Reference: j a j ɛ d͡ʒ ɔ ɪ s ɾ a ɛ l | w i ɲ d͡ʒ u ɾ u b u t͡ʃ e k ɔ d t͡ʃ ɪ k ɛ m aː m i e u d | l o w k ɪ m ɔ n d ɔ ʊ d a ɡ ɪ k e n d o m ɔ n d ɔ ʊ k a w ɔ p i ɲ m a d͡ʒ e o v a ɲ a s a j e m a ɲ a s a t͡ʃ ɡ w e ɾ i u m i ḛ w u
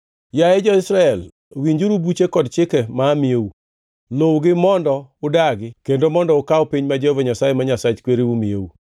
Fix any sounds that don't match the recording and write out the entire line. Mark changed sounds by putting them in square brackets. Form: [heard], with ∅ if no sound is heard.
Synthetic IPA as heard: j a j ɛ d͡ʒ ɔ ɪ s ɾ a ɛ l | w i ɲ d͡ʒ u ɾ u b u t͡ʃ e k ɔ d t͡ʃ ɪ k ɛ m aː m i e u [∅] | l o w [ɡ] ɪ m ɔ n d ɔ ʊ d a ɡ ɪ k e n d o m ɔ n d ɔ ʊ k a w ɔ p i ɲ m a d͡ʒ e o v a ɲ a s a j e m a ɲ a s a t͡ʃ [k] w e ɾ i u m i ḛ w u